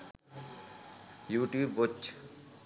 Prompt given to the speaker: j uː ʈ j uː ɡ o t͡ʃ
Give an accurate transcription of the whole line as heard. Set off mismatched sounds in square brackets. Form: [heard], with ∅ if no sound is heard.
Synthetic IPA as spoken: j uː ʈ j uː [b] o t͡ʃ